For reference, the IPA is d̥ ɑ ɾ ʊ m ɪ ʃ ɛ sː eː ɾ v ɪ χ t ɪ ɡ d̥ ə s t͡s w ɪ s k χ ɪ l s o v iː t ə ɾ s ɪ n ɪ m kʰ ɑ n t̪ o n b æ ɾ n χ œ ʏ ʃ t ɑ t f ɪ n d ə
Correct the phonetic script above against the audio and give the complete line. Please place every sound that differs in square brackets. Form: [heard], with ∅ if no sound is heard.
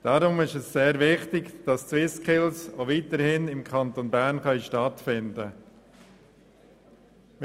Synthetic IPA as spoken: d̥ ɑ ɾ ʊ m ɪ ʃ ɛ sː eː ɾ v ɪ χ t ɪ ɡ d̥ [ɑ] s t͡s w ɪ s k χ ɪ l s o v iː t ə ɾ [h] ɪ n ɪ m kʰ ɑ n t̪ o n b æ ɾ n χ œ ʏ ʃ t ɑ t f ɪ n d ə